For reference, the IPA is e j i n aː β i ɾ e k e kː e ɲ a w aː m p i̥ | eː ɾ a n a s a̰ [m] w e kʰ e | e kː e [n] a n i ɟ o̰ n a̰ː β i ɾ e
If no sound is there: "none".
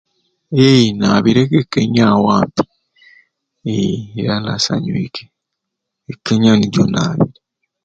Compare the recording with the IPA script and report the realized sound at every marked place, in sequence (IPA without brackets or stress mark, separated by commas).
ɲ, ɲ